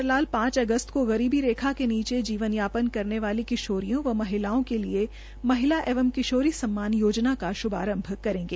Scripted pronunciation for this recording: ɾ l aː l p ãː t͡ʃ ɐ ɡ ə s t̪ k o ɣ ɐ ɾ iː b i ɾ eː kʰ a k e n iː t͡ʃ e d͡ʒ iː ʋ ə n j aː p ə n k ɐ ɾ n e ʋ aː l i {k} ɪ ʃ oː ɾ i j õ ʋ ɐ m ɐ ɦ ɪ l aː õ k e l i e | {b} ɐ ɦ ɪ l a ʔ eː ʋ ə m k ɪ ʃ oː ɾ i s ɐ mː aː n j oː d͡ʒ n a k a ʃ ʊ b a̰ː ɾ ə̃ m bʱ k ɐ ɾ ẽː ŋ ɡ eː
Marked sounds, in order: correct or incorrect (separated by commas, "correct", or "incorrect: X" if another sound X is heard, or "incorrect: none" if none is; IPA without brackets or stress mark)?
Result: correct, incorrect: m